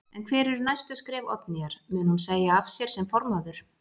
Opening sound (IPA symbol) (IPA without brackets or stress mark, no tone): ɛ